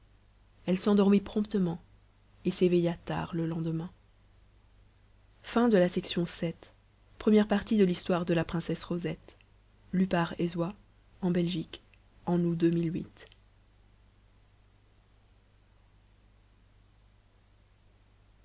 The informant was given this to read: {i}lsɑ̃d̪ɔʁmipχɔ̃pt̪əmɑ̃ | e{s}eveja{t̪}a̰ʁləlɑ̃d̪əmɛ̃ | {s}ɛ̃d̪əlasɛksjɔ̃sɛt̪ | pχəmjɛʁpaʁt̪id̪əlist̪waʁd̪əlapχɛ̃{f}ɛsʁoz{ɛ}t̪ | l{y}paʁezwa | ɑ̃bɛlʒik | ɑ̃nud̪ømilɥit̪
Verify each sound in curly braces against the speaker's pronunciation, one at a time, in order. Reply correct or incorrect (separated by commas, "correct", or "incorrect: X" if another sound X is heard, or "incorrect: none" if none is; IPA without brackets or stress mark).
incorrect: ɛ, correct, correct, incorrect: f, incorrect: s, correct, correct